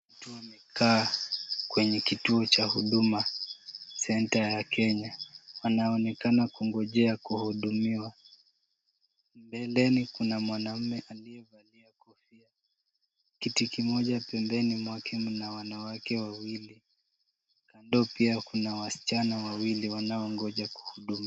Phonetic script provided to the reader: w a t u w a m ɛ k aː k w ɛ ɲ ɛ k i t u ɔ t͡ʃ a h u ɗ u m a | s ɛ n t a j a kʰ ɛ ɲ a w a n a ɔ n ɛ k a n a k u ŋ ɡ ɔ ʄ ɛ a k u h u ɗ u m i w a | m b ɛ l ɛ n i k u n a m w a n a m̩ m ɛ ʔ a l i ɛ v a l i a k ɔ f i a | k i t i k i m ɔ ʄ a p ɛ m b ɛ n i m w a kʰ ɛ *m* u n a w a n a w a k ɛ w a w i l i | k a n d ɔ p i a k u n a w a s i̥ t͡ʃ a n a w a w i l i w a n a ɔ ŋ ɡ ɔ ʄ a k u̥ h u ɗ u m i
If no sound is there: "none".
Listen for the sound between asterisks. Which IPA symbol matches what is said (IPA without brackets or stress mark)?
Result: m